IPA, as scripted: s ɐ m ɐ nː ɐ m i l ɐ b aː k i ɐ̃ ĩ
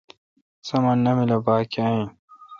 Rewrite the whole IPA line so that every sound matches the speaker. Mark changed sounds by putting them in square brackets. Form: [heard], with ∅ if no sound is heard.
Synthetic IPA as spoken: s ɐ m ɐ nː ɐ m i l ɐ b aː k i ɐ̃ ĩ